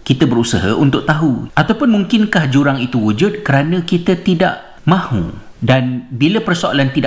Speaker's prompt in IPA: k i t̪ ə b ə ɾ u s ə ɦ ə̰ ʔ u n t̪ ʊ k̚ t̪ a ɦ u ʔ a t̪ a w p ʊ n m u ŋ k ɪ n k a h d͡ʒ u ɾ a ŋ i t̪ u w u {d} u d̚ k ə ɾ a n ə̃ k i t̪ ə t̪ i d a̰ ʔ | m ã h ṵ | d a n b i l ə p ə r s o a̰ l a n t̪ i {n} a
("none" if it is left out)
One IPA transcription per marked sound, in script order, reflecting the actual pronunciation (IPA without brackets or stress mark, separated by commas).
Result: d͡ʒ, d